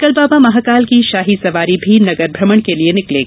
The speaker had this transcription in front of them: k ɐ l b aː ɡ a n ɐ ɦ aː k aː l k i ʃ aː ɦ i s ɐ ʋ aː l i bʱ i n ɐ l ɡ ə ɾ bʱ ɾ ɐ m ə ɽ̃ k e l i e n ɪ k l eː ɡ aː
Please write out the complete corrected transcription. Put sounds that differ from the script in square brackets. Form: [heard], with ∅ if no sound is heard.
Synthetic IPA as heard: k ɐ l b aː [b] a [m] ɐ ɦ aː k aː l k i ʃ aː ɦ i s ɐ ʋ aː [ɾ] i bʱ i n ɐ [∅] ɡ ə ɾ bʱ ɾ ɐ m ə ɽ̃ k e l i e n ɪ k l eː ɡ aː